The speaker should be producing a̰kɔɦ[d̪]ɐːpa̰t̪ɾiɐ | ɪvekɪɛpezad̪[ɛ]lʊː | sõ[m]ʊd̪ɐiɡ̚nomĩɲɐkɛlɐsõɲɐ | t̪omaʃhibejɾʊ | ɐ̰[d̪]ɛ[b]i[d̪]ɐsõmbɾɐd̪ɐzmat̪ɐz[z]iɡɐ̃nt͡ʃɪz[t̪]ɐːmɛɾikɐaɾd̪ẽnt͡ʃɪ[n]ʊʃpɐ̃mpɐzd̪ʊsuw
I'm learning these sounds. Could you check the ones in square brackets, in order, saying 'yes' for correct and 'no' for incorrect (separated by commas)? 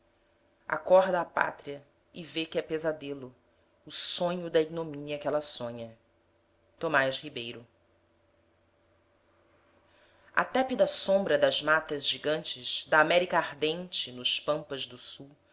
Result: yes, no, no, no, no, yes, no, no, yes